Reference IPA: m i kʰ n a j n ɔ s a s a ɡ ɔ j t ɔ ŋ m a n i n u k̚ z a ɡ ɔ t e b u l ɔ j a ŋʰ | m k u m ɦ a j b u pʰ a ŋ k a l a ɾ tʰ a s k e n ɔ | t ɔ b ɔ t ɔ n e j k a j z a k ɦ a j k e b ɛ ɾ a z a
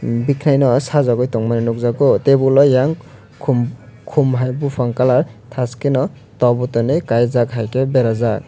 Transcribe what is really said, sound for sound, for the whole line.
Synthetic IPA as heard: b i kʰ n a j n ɔ s a z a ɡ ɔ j t ɔ ŋ m a n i n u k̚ z a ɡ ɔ t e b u l ɔ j a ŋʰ | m kʰ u m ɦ a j b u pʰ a ŋ k a l a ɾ tʰ a s k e n ɔ | t ɔ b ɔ t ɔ n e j k a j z a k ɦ a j k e b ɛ ɾ a z a